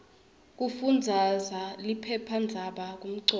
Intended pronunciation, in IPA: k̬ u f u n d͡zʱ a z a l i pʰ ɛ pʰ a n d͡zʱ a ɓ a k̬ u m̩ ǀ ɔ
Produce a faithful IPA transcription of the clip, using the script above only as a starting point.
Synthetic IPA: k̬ u f u n d͡zʱ a z a l i pʰ ɛ pʰ a n d͡zʱ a ɓ a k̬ u m̩ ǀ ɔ

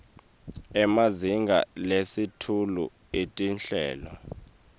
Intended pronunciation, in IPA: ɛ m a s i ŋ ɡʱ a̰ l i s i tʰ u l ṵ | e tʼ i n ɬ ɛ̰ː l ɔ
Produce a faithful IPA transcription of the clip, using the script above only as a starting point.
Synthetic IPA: ɛ m a z i ŋ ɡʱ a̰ l e s i tʰ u l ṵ | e tʼ i n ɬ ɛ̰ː l ɔ

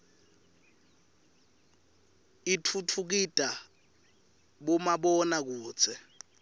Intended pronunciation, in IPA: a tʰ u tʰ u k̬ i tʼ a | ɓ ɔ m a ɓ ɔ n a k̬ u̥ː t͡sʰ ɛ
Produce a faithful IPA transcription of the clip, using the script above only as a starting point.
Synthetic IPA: i tʰ u tʰ u k̬ i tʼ a | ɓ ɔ m a ɓ ɔ n a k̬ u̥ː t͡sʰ ɛ

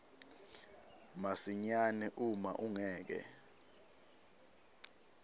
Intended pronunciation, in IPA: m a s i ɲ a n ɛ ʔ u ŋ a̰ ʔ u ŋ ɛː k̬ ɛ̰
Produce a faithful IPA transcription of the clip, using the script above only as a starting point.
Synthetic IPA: m a s i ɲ a n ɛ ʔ u m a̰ ʔ u ŋ ɛː k̬ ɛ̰

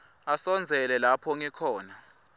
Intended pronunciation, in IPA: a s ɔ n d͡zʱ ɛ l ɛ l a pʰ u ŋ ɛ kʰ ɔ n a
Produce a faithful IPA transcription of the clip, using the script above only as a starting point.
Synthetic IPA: a s ɔ n d͡zʱ ɛ l ɛ l a pʰ ɔ ŋ ɛ kʰ ɔː n a

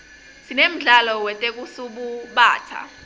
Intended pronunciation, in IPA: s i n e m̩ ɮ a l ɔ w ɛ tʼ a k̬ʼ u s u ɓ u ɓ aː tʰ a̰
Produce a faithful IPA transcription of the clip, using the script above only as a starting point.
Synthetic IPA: s i n e m̩ ɮ a l ɔ w ɛ tʼ e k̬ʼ u s u ɓ u ɓ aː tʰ a̰

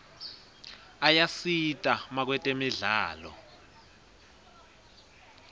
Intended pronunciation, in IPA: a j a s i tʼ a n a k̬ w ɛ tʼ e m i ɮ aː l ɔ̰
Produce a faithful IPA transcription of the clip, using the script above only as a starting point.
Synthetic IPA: a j a s i tʼ a m a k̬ w ɛ tʼ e m i ɮ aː l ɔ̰

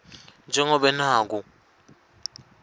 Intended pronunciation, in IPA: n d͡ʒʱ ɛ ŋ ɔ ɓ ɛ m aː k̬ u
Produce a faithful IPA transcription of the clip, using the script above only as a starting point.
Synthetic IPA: n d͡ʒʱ ɛ ŋ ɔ ɓ ɛ n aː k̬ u

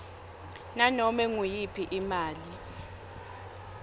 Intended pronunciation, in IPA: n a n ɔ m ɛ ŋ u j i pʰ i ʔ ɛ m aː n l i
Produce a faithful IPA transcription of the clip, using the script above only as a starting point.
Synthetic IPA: n a n ɔ m ɛ ŋ u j i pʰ i ʔ i m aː l i

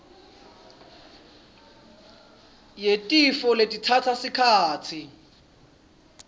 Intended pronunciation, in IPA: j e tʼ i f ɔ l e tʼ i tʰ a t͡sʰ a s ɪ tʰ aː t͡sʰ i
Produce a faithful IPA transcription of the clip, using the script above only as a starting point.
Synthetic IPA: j e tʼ i f ɔ l e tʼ i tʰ a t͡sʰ a s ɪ kʰ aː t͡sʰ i

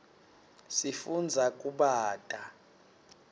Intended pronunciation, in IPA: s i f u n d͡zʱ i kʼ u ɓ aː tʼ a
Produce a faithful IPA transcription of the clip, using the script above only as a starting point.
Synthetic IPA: s i f u n d͡zʱ a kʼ u ɓ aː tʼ a

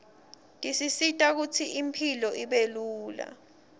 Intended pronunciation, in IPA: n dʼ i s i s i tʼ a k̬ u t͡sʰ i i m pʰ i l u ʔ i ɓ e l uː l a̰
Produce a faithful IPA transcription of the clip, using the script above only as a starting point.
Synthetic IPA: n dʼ i s i s i tʼ a k̬ u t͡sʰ i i m pʰ i l ɔ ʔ i ɓ e l uː l a̰

